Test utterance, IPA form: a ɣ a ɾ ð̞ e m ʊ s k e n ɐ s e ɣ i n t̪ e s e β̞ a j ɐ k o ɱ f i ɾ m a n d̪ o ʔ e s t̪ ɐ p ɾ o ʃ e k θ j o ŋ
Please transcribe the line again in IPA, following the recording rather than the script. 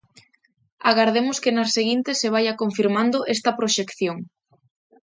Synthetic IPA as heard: a ɣ a ɾ ð̞ e m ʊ s k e n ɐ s e ɣ i n t̪ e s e β̞ a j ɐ k o ɱ f i ɾ m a n d̪ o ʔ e s t̪ ɐ p ɾ o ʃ e k θ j o ŋ

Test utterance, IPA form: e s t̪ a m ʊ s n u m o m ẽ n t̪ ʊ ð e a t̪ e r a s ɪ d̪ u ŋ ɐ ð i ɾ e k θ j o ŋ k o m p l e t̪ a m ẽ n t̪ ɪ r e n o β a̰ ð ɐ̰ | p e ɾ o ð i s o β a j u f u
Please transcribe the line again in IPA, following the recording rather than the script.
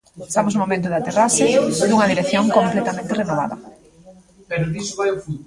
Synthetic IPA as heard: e s t̪ a m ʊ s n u m o m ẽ n t̪ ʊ ð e a t̪ e r a s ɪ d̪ u ŋ ɐ ð i ɾ e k θ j o ŋ k o m p l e t̪ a m ẽ n t̪ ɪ r e n o β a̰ ð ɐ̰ | p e ɾ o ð i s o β a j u f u

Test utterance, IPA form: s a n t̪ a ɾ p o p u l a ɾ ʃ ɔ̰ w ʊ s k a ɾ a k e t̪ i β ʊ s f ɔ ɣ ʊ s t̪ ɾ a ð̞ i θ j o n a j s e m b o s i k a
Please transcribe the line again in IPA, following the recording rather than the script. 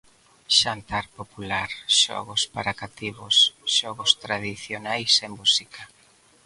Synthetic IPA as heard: ʃ a n t̪ a ɾ p o p u l a ɾ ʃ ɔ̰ ɣ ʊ s p a ɾ a k a t̪ i β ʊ s ʃ ɔ ɣ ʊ s t̪ ɾ a ð̞ i θ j o n a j s e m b u s i k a

